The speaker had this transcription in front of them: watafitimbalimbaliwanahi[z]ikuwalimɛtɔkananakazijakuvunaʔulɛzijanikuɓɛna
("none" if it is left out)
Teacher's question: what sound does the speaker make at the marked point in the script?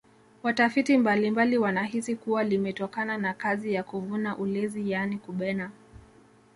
s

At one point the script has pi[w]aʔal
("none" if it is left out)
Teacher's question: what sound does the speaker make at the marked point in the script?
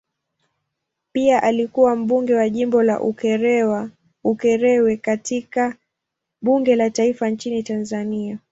none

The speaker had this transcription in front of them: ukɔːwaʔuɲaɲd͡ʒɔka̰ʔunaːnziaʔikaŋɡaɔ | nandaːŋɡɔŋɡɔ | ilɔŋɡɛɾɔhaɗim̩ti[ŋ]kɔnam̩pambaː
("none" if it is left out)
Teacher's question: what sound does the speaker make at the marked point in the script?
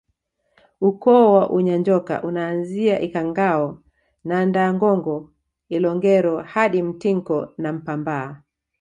ŋ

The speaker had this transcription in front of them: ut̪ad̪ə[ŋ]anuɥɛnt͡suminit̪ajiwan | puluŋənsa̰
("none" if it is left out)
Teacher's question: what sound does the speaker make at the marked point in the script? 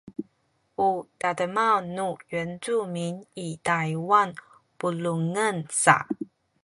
m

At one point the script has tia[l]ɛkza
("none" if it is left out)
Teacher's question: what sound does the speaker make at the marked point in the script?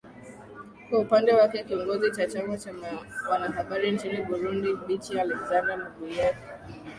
l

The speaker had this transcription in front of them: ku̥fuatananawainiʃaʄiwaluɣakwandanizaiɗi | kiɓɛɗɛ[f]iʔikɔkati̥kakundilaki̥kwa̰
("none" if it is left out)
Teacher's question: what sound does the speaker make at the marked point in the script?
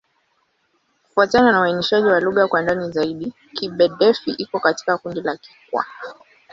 f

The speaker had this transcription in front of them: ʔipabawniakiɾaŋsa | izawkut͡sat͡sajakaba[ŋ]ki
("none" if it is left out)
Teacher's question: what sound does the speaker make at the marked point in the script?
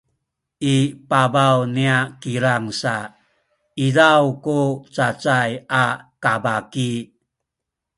none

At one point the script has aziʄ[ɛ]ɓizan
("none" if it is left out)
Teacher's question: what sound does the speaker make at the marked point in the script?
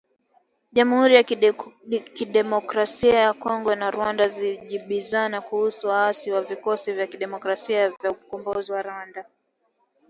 i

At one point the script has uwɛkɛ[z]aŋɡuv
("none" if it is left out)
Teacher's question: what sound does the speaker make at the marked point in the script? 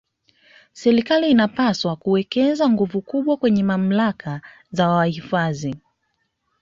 z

